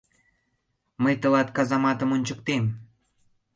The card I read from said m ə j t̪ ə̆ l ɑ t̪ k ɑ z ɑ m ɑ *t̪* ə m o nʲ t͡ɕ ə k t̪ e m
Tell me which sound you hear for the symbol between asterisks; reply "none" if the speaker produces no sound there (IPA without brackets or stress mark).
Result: t̪